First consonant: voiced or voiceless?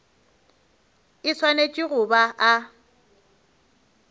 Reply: voiceless